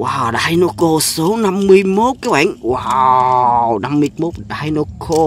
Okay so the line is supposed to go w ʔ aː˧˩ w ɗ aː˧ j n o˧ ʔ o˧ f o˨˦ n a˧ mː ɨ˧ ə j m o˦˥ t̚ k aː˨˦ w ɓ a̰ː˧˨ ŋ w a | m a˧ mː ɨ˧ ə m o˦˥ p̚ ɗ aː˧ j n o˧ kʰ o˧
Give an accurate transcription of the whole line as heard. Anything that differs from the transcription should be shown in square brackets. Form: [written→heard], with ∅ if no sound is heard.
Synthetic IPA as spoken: w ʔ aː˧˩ w ɗ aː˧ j n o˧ [ʔ→k] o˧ [f→s] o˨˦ n a˧ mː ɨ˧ ə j m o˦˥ t̚ k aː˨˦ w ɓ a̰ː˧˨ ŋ w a | [m→n] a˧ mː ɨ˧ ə m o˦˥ [p̚→t̚] ɗ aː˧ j n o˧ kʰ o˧